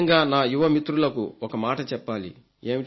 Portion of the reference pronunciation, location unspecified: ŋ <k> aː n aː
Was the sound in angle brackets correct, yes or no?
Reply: no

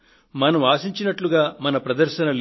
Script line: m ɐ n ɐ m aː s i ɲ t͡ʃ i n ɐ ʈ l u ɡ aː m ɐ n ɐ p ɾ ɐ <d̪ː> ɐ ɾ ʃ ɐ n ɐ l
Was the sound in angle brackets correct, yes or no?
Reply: no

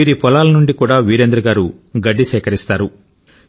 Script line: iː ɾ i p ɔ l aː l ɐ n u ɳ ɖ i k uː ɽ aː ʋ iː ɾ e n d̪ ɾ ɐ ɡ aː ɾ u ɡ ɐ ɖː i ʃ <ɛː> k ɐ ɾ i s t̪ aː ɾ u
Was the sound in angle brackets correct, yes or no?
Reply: yes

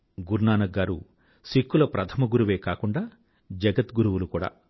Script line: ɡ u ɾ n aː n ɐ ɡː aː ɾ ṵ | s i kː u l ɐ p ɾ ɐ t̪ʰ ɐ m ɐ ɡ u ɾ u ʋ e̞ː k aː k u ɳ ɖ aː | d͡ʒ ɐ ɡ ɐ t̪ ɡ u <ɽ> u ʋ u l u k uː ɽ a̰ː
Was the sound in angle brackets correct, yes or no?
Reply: no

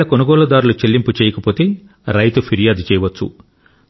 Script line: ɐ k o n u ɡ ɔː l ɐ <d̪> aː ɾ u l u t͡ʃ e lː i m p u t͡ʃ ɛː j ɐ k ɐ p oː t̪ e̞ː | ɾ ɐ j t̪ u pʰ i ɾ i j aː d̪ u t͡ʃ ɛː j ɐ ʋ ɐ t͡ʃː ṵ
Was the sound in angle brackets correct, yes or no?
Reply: yes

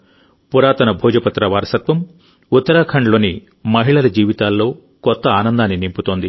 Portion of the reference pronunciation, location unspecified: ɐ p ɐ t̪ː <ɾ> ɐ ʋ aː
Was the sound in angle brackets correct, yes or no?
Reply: yes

